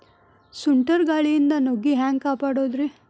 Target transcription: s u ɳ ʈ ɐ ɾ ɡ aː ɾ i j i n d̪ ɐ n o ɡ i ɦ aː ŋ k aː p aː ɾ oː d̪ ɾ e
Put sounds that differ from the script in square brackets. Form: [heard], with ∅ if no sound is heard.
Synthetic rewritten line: s u ɳ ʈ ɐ ɾ ɡ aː [ɭ] i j i n d̪ ɐ n o ɡ i ɦ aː ŋ k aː p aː [ɽ] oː d̪ ɾ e